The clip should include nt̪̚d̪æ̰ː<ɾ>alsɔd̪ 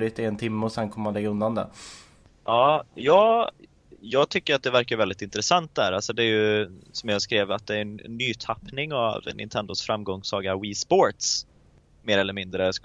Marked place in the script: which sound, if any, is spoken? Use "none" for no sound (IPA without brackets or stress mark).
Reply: ɾ